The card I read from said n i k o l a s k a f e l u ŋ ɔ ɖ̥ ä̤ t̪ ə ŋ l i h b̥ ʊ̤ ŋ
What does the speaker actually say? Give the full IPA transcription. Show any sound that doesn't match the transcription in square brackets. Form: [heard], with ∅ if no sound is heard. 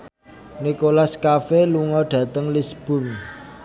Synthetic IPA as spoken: n i k o l a s k a f e l u ŋ ɔ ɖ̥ ä̤ t̪ ə ŋ l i [s] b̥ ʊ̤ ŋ